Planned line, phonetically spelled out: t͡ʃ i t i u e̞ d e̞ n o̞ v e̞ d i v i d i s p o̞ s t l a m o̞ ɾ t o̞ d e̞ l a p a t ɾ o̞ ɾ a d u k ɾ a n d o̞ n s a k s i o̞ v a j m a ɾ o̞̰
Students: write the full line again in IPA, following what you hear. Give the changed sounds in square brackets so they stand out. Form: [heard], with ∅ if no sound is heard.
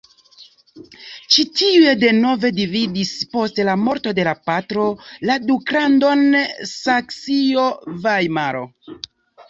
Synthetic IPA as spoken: t͡ʃ i t i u e̞ d e̞ n o̞ v e̞ d i v i d i s p o̞ s t l a m o̞ ɾ t o̞ d e̞ l a p a t ɾ o̞ [l] a d u k ɾ a n d o̞ n s a k s i o̞ v a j m a ɾ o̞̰